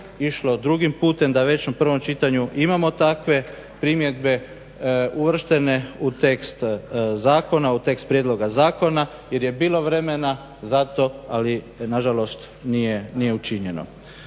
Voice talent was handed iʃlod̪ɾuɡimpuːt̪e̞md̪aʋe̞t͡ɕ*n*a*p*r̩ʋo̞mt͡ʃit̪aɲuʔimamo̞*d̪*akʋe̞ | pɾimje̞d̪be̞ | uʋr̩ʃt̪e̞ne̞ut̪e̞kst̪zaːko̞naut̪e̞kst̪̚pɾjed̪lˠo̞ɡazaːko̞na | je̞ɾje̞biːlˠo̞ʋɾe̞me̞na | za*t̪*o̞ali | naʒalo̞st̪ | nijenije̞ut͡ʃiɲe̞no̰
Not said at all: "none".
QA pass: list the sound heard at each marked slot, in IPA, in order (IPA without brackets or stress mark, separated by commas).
n, p, t̪, t̪